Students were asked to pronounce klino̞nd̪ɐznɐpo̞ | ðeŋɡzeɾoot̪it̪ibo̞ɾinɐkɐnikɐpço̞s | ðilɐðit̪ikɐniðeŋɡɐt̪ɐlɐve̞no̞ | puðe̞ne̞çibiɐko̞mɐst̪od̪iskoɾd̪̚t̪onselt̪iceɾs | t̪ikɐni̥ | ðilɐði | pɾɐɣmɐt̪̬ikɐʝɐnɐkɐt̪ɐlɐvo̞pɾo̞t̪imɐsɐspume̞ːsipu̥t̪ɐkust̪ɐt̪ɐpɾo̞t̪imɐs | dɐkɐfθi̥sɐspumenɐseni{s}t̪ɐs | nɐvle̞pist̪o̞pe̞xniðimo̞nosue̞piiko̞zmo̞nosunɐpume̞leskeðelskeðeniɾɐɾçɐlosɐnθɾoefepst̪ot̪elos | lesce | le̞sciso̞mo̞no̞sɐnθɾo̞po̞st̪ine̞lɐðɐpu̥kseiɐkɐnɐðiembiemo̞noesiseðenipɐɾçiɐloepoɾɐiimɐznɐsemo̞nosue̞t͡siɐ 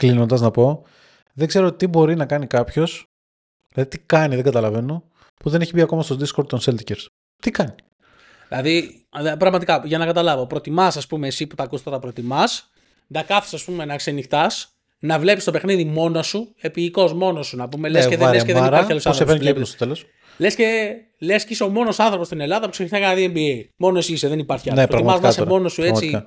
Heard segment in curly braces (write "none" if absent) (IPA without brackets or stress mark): x